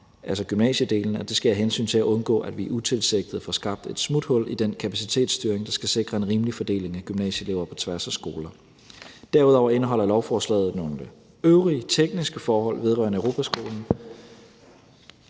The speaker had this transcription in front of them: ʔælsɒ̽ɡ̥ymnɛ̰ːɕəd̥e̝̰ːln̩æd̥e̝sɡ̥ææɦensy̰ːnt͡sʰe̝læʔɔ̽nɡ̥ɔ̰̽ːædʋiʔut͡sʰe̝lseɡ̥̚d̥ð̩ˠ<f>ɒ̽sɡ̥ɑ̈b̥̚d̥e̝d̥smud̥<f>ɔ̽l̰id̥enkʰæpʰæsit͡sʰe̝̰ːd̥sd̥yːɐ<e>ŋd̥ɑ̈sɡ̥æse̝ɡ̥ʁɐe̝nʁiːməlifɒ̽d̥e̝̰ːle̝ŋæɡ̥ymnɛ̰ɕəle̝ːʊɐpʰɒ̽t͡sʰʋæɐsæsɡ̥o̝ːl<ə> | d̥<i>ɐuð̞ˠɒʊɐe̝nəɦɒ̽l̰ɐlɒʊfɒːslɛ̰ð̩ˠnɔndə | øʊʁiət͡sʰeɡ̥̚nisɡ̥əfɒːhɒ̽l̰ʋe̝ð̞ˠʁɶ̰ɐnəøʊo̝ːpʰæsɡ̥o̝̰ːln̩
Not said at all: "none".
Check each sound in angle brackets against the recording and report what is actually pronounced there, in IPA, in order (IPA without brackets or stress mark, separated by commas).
f, h, e, ɐ, æ